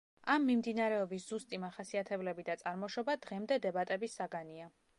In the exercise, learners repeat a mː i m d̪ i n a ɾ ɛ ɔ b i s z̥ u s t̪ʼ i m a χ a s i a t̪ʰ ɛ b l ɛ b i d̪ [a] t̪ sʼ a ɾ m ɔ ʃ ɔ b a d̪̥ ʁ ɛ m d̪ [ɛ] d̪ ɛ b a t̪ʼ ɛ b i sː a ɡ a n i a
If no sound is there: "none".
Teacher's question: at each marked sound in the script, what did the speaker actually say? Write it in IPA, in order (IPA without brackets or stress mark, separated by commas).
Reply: a, ɛ